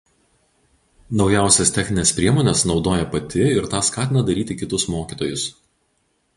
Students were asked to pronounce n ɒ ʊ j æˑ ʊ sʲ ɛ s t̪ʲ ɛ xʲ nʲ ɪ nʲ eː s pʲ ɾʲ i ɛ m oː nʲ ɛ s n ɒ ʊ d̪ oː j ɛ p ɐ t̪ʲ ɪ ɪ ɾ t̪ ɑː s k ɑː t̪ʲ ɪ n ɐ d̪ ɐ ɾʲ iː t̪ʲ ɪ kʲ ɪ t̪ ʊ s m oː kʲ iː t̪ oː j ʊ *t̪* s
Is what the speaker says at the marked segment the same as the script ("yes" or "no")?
no